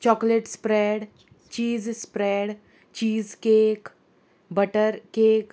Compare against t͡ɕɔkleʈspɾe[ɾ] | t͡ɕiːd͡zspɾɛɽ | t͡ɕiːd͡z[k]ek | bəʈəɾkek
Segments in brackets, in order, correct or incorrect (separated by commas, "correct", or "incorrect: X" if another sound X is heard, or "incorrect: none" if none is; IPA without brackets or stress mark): incorrect: ɽ, correct